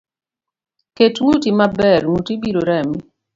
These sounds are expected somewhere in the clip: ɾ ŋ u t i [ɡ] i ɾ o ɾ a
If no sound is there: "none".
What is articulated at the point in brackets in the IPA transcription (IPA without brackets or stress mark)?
b